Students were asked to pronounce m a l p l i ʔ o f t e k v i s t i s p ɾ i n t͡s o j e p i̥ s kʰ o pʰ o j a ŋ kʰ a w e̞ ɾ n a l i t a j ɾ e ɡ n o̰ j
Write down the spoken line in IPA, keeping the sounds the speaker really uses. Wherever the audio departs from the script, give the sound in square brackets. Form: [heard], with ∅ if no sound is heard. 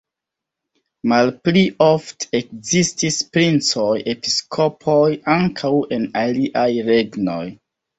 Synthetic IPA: m a l p l i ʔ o f t e k [z] i s t i s p ɾ i n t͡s o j e p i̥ s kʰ o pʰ o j a ŋ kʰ a w e̞ [∅] n a l i [ʔ] a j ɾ e ɡ n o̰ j